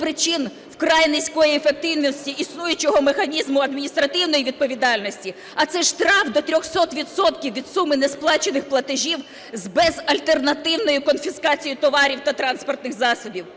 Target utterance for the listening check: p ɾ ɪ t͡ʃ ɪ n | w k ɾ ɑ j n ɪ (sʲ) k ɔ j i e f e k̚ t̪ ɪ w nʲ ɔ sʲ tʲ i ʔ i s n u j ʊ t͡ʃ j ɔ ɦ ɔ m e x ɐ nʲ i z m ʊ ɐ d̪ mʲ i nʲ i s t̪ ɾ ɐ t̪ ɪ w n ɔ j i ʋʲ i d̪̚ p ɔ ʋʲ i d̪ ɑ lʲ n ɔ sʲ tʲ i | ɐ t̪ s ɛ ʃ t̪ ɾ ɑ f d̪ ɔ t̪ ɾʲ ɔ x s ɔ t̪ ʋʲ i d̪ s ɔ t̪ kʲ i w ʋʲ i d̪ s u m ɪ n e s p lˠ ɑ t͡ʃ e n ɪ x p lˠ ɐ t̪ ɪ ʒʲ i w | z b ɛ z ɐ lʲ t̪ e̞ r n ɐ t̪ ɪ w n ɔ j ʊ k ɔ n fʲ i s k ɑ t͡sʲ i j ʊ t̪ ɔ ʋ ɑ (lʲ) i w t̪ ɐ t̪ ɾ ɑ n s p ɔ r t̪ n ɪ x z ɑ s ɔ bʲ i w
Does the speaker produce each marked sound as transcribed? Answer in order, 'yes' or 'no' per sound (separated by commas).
yes, no